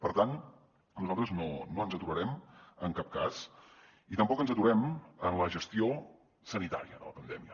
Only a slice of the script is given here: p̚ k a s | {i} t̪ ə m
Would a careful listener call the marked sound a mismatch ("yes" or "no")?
no